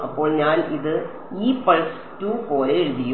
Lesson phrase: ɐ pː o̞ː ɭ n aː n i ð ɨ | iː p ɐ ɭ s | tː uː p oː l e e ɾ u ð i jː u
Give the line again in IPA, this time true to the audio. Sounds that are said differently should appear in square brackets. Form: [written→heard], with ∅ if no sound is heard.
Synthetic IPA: ɐ pː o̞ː ɭ [n→ɲ] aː n i ð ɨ | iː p ɐ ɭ s | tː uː p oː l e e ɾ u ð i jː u